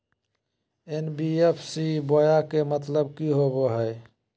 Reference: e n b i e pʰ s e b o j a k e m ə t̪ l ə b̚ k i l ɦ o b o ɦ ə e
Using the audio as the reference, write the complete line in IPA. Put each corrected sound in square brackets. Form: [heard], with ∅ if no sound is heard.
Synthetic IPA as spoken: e n b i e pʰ s [i] b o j a k e m ə t̪ l ə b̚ k i [∅] ɦ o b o ɦ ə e